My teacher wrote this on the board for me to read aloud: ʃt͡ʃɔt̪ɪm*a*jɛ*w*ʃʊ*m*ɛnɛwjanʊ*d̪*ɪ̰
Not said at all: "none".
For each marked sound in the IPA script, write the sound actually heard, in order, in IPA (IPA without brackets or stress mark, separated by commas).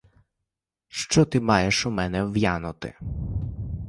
ɑ, none, m, t̪